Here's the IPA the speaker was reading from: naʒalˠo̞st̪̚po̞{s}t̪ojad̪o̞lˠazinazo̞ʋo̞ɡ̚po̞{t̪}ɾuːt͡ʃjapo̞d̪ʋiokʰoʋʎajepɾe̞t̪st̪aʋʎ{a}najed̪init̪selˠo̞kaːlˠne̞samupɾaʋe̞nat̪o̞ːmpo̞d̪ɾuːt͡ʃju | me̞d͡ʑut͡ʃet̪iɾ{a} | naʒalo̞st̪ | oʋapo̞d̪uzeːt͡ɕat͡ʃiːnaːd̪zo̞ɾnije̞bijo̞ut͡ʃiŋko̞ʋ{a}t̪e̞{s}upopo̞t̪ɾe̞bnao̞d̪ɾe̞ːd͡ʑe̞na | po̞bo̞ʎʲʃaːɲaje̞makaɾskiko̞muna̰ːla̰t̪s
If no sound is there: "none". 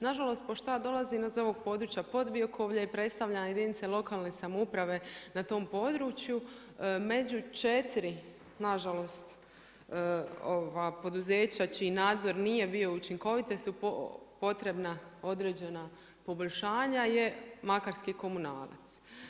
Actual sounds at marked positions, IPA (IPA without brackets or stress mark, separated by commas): ʃ, d̪, a, i, i, s